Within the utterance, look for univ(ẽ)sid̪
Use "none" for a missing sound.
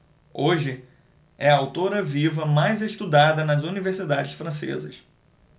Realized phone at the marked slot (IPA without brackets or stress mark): e